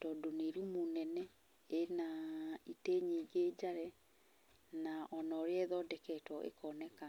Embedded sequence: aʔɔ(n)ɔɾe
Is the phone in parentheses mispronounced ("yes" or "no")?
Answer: no